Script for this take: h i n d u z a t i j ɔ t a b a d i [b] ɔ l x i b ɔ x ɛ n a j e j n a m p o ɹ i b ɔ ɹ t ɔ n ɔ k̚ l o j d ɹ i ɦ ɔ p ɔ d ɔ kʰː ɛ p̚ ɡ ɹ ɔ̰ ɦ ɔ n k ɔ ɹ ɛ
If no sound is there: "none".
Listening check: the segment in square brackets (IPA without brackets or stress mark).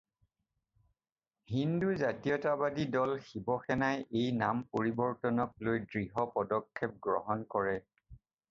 d